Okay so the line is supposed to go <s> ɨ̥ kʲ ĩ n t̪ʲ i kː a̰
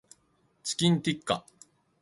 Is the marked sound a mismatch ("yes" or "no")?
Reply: yes